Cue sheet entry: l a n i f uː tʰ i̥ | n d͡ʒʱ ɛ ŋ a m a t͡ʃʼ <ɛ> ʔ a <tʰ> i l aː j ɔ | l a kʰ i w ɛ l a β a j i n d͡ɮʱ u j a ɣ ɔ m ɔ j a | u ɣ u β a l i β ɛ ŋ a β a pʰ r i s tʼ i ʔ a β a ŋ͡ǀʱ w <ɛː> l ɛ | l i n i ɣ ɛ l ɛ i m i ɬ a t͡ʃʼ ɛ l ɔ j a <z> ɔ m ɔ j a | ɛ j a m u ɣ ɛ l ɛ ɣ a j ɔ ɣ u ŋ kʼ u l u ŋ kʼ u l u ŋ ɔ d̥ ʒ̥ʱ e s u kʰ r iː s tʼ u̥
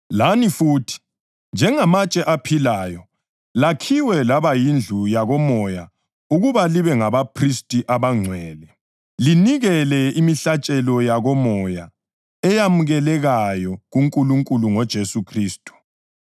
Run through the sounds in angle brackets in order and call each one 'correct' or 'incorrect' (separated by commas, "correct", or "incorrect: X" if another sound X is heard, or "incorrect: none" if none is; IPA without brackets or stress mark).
correct, incorrect: pʰ, correct, incorrect: ɣ